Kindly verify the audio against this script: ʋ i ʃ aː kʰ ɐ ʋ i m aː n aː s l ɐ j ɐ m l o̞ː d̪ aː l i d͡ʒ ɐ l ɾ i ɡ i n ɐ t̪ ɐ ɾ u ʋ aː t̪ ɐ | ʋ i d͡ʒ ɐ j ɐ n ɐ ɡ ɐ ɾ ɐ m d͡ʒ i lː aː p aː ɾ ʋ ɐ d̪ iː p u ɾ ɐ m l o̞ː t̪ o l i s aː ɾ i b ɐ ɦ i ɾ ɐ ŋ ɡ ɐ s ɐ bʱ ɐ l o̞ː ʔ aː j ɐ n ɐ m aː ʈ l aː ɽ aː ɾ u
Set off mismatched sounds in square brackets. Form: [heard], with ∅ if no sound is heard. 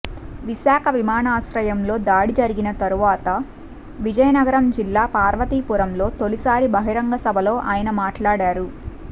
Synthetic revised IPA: ʋ i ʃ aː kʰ ɐ ʋ i m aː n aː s [ɾ] ɐ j ɐ m l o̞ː d̪ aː [ɽ] i d͡ʒ ɐ [∅] ɾ i ɡ i n ɐ t̪ ɐ ɾ u ʋ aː t̪ ɐ | ʋ i d͡ʒ ɐ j ɐ n ɐ ɡ ɐ ɾ ɐ m d͡ʒ i lː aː p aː ɾ ʋ ɐ [t̪] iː p u ɾ ɐ m l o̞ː t̪ o l i s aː ɾ i b ɐ ɦ i ɾ ɐ ŋ ɡ ɐ s ɐ bʱ ɐ l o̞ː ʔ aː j ɐ n ɐ m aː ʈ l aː ɽ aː ɾ u